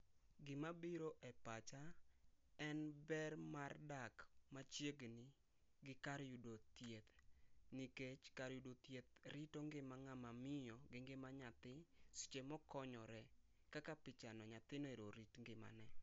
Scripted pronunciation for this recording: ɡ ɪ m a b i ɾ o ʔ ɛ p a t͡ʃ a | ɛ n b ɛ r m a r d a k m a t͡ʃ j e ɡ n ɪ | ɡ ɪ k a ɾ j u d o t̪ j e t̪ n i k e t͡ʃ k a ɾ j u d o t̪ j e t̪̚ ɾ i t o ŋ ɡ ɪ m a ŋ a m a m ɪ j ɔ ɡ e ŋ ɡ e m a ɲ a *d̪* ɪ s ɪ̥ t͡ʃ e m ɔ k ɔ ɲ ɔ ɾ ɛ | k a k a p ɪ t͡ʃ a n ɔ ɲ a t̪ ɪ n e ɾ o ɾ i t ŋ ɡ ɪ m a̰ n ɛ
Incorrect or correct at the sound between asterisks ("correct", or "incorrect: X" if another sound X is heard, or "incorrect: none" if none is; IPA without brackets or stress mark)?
incorrect: t̪